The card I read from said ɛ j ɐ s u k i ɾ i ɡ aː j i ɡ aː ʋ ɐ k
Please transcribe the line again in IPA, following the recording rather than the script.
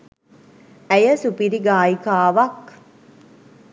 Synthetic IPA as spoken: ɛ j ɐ s u p i ɾ i ɡ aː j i k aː ʋ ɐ k